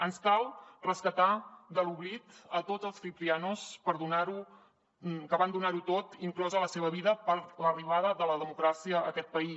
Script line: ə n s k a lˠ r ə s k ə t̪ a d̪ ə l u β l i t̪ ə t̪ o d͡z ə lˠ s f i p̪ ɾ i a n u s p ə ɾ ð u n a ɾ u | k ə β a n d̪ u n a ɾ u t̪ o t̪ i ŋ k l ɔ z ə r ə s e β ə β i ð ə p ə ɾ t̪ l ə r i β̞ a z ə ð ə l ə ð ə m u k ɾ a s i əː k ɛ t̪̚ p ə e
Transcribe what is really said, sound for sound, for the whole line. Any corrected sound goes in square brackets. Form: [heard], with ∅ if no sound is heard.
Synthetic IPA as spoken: ə n s k a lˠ r ə s k ə t̪ a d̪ ə l u β l i t̪ ə t̪ o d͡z ə lˠ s f i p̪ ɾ i a n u s p ə ɾ ð u n a ɾ u | k ə β a n d̪ u n a ɾ u t̪ o t̪ i ŋ k l ɔ z ə [l] ə s e β ə β i ð ə p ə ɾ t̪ l ə r i β̞ a [ð] ə ð ə l ə ð ə m u k ɾ a s i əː k ɛ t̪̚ p ə [i]